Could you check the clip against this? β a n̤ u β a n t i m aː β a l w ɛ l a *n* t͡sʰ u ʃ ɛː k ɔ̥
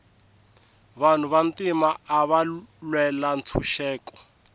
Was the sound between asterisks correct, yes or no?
yes